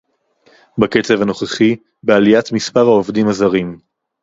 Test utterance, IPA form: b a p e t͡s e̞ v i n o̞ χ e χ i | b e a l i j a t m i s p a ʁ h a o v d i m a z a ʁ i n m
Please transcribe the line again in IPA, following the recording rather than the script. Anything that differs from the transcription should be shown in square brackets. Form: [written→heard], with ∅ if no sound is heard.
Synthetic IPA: b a [p→k] e t͡s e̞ v [i→a] n o̞ χ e χ i | b e a l i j a t m i s p a ʁ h a o v d i m a z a ʁ i [n→∅] m